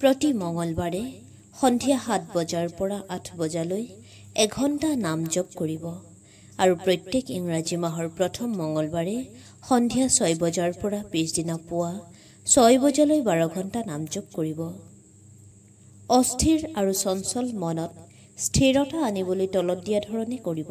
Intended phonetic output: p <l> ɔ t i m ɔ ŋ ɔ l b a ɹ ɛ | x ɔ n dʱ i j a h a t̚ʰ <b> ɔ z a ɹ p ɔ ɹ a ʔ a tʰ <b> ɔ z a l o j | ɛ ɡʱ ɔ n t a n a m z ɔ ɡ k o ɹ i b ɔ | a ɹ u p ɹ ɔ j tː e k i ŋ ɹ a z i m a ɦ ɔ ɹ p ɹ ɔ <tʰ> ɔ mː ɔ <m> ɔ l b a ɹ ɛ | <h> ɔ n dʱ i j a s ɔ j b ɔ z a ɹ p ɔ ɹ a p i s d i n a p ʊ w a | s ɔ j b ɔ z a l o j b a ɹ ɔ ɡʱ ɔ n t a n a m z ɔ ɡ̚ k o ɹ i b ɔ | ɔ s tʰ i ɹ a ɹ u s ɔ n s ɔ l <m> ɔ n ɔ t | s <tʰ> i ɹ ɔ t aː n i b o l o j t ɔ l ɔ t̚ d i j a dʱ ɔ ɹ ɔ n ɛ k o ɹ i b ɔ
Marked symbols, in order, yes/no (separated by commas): no, yes, yes, yes, no, no, yes, yes